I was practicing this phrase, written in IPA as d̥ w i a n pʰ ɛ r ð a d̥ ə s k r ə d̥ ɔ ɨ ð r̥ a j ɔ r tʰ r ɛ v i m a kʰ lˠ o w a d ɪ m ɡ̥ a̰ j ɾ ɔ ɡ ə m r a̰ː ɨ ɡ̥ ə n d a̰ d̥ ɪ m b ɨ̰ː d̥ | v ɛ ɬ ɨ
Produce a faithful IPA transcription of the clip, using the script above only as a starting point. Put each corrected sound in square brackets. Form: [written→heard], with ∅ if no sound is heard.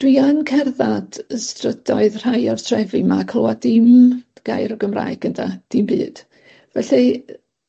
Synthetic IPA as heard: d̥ w i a n [pʰ→kʰ] ɛ r ð a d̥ ə s [k→t] r ə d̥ ɔ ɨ ð r̥ a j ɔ r tʰ r ɛ v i m a kʰ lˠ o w a d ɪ m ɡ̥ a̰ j ɾ ɔ ɡ ə m r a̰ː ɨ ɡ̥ ə n d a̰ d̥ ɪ m b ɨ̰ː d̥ | v ɛ ɬ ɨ